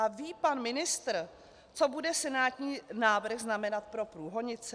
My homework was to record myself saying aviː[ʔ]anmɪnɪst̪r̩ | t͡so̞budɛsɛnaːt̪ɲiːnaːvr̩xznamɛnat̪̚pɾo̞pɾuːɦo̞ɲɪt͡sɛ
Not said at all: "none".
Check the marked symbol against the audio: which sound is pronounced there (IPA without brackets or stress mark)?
p